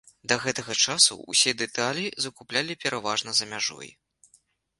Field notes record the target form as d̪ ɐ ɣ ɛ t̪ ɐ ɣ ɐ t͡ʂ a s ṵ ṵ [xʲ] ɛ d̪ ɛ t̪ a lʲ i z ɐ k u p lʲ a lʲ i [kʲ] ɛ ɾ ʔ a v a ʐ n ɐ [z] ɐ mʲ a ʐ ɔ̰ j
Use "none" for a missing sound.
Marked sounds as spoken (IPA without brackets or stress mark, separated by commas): sʲ, pʲ, z